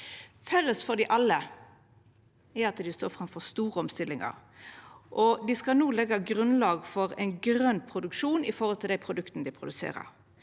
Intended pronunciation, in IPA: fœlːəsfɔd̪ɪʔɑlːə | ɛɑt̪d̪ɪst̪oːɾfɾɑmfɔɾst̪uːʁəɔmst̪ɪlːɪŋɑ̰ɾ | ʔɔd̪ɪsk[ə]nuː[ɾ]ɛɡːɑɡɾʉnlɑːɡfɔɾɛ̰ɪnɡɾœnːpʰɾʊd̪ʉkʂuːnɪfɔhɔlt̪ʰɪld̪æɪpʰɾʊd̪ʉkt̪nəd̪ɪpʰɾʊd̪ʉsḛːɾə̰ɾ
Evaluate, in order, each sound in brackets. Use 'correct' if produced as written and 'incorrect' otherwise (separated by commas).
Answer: incorrect, incorrect